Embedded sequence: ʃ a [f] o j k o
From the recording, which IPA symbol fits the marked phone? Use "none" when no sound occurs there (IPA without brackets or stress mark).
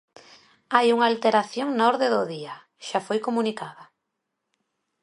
f